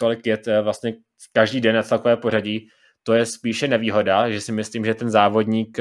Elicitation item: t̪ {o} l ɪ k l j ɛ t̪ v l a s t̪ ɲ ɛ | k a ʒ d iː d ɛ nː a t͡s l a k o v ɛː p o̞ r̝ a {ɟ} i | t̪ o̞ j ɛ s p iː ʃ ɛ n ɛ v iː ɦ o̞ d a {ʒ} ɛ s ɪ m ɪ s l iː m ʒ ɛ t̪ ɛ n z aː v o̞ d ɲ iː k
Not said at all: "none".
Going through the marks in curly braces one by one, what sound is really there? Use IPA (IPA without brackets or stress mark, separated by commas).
o, ɟ, ʒ